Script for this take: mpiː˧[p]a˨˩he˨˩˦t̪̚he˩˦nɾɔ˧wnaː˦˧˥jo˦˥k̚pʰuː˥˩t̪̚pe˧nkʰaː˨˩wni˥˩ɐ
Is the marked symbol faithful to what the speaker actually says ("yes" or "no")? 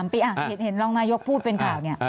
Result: no